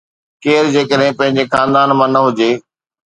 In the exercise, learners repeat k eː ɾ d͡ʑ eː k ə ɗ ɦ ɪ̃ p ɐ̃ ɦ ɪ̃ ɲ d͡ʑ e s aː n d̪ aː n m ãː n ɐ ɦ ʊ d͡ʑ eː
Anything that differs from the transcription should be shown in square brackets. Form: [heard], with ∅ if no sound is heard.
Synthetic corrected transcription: k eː ɾ d͡ʑ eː k ə ɗ ɦ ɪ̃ p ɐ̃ ɦ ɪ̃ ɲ d͡ʑ e [x] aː n d̪ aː n m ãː n ɐ ɦ ʊ d͡ʑ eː

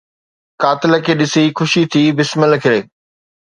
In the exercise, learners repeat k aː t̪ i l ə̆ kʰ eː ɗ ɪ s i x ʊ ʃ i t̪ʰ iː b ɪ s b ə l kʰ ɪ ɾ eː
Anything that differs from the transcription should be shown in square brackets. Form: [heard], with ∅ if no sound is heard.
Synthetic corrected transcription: k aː t̪ [ɪ] l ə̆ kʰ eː ɗ ɪ s i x ʊ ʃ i t̪ʰ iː b ɪ s [m] ə l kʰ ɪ ɾ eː

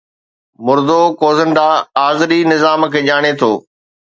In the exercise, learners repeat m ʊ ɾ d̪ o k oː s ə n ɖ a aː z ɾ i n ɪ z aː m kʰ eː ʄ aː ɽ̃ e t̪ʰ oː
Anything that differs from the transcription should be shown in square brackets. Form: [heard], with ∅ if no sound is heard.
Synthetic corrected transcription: m ʊ ɾ d̪ o k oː [z] ə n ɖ a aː z ɾ i n ɪ z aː m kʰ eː ʄ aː ɽ̃ e t̪ʰ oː

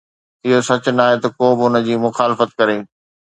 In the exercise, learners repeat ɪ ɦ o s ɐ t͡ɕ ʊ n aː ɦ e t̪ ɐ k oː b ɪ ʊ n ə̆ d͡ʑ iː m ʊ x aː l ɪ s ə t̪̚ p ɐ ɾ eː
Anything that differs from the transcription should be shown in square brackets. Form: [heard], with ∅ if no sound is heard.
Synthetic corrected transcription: ɪ ɦ o s ɐ t͡ɕ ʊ n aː ɦ e t̪ ɐ k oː b ɪ ʊ n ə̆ d͡ʑ iː m ʊ x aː l ɪ [f] ə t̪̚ [k] ɐ ɾ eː

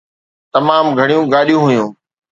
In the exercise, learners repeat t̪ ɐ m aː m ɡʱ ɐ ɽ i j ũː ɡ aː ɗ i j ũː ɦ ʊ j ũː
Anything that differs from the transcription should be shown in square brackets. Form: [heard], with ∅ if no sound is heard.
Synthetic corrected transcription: t̪ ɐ m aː m ɡʱ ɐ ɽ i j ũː ɡ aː ɗ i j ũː ɦ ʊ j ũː

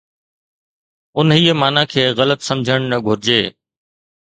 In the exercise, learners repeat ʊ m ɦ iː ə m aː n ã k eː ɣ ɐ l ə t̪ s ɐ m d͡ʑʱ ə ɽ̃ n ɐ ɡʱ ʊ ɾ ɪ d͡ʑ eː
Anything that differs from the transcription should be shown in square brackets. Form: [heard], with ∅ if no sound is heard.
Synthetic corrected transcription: ʊ [n] ɦ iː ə m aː n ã [kʰ] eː ɣ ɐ l ə t̪ s ɐ m d͡ʑʱ ə ɽ̃ n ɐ ɡʱ ʊ ɾ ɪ d͡ʑ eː

